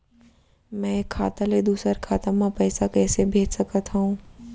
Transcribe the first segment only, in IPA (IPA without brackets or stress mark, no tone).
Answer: m